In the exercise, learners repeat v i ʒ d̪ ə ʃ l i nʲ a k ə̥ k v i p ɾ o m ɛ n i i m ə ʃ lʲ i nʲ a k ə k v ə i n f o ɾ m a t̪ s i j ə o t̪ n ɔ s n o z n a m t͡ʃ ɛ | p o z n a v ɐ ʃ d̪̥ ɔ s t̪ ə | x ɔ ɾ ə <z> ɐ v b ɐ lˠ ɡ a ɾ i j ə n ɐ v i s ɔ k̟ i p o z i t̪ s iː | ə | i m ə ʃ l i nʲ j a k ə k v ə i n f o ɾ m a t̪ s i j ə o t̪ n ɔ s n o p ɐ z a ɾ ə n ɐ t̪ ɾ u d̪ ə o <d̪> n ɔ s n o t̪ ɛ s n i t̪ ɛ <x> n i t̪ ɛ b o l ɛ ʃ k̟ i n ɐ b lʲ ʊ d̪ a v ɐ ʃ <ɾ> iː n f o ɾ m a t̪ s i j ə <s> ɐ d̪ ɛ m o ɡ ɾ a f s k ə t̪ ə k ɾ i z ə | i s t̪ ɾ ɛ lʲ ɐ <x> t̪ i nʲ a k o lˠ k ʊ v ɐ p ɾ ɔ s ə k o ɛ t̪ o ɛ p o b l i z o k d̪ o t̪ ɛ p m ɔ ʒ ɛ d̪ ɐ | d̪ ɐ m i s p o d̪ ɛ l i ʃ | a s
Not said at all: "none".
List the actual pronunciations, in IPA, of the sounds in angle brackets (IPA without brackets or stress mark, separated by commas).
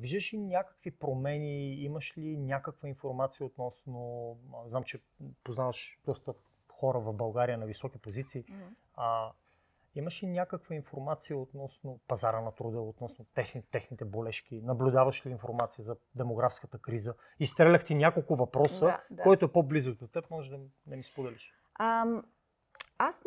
v, t̪, x, l, z, x